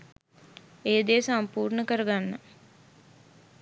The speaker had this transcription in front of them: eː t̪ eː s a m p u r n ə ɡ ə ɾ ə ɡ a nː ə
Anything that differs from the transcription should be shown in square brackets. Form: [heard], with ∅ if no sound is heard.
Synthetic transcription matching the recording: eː [d̪] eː s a m p [uː] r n ə [k] ə ɾ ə ɡ a nː ə